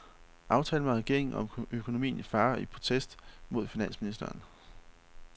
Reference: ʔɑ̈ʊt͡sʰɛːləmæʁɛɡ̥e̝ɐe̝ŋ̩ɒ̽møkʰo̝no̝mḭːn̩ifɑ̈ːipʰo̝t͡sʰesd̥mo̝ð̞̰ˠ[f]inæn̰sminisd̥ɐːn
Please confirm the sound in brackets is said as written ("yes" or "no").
yes